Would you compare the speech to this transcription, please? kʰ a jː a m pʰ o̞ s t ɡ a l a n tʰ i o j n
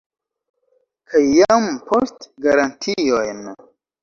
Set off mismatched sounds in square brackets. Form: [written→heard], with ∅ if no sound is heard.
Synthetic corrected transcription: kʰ a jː a m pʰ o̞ s t ɡ a [l→ɾ] a n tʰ i o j n